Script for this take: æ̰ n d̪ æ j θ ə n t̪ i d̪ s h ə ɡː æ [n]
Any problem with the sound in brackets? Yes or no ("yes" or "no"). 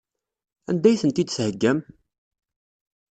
yes